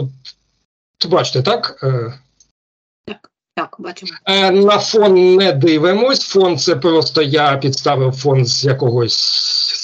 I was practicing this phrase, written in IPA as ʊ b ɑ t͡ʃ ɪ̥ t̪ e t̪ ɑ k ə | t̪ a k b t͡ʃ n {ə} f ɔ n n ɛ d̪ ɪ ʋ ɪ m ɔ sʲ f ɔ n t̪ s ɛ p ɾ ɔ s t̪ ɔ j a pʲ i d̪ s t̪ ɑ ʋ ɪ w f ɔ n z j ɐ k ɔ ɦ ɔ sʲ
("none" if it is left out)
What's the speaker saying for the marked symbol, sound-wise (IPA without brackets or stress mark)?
ɐ